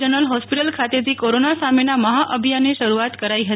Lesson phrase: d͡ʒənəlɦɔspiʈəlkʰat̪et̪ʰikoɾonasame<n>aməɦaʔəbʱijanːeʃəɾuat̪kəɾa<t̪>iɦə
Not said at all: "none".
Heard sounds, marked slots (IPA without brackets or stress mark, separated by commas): n, none